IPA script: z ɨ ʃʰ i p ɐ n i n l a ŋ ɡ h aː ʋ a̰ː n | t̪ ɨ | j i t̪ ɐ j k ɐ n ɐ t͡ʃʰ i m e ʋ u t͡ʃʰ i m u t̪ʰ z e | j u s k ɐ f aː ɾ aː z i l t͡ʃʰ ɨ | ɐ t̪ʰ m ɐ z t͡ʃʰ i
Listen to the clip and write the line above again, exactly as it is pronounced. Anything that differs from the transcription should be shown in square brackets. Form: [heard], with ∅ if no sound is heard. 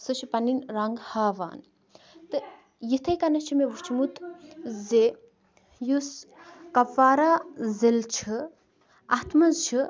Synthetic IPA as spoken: [s] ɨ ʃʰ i p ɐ n i n [ɾ] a ŋ ɡ h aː ʋ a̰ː n | t̪ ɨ | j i [t̪ʰ] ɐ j k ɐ n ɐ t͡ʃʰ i m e ʋ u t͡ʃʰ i m u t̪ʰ z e | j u s k ɐ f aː ɾ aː z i l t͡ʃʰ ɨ | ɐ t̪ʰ m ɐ z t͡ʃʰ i

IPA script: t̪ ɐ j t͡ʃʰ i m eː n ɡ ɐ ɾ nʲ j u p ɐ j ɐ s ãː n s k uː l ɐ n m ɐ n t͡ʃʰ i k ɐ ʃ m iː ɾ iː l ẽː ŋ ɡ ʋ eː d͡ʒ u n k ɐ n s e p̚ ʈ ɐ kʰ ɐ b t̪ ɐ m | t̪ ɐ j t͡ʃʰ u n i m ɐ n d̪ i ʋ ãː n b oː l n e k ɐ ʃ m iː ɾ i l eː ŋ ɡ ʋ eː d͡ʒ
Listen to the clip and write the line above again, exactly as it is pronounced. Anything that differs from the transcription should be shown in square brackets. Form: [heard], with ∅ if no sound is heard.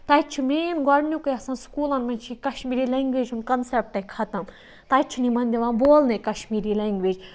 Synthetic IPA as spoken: t̪ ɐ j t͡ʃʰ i m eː n ɡ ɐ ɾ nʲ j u [k] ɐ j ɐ s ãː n s k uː l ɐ n m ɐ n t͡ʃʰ i k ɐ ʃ m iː ɾ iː l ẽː ŋ ɡ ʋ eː d͡ʒ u n k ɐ n s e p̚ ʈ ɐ kʰ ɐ [∅] t̪ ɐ m | t̪ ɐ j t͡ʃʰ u n i m ɐ n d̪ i ʋ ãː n b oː l n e k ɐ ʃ m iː ɾ i l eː ŋ ɡ ʋ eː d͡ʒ

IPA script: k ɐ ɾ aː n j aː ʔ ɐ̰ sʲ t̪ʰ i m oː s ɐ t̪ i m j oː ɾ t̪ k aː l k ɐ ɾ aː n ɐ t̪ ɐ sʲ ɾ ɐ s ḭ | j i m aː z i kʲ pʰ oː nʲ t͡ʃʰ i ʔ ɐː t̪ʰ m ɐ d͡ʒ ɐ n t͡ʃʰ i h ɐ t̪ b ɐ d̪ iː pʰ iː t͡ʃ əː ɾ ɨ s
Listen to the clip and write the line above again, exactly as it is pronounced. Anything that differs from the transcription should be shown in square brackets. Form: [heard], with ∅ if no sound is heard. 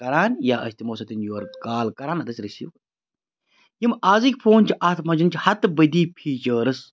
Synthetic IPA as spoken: k ɐ ɾ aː n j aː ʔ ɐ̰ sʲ [t̪] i m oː s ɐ t̪ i [n] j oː ɾ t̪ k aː l k ɐ ɾ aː n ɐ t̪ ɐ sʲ ɾ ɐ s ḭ | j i m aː z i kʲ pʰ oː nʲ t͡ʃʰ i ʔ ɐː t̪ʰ m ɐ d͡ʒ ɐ n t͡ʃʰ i h ɐ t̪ b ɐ d̪ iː pʰ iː t͡ʃ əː ɾ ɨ s

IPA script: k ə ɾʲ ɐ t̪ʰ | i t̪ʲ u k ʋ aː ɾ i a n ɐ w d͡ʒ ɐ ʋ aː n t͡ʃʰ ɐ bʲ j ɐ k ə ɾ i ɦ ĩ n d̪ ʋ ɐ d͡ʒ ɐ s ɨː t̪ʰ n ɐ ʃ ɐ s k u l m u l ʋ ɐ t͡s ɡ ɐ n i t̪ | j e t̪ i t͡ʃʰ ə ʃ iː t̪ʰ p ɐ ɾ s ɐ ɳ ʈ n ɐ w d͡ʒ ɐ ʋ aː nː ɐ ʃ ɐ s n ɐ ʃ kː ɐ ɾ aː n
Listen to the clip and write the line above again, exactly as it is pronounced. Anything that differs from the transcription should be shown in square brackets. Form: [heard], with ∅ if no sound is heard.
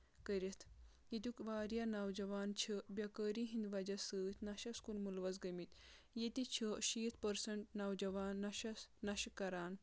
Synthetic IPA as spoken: k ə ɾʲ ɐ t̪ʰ | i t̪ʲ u k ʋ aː ɾ [j] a n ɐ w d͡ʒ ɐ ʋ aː n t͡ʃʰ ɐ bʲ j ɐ k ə ɾ i ɦ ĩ n d̪ ʋ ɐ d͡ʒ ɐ s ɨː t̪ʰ n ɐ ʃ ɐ s k u l m u l ʋ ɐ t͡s ɡ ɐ [m] i t̪ | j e t̪ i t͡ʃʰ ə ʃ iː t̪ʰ p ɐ ɾ s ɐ ɳ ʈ n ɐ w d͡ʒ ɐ ʋ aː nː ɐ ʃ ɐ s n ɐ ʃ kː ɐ ɾ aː n

